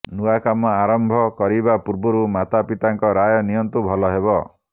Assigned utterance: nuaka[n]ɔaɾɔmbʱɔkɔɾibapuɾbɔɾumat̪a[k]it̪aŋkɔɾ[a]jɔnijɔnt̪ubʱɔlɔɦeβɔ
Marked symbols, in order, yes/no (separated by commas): no, no, yes